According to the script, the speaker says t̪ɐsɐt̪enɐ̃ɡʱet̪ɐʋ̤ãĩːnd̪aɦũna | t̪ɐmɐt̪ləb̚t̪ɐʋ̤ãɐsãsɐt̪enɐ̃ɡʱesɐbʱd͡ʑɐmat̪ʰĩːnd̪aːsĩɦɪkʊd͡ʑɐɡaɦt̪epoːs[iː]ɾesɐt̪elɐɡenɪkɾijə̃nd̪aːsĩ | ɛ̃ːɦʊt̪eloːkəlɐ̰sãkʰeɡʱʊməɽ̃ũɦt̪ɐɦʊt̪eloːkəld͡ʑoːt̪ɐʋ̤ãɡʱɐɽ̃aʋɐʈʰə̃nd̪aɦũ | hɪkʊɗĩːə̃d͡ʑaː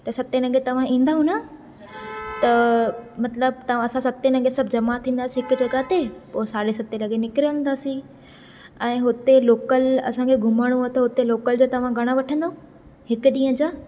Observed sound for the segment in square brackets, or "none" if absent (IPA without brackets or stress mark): aː